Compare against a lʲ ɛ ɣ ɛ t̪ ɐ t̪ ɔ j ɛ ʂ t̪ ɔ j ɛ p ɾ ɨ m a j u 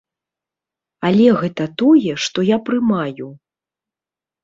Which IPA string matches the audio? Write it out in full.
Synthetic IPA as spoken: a lʲ ɛ ɣ ɛ t̪ ɐ t̪ ɔ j ɛ ʂ t̪ ɔ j a p ɾ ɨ m a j u